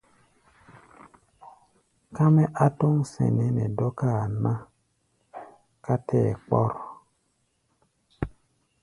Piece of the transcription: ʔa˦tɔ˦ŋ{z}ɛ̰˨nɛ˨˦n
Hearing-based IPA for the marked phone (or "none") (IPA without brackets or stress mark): s